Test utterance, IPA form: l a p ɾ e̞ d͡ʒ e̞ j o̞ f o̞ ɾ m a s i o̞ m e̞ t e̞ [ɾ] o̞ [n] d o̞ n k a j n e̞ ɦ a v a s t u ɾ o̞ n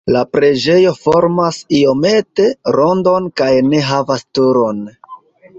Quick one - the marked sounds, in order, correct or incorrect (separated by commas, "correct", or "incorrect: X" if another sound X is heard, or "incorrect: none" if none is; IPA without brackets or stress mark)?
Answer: correct, correct